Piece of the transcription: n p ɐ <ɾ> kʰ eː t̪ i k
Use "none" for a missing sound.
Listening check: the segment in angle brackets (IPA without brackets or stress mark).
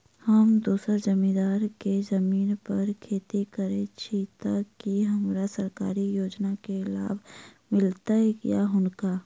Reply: ɾ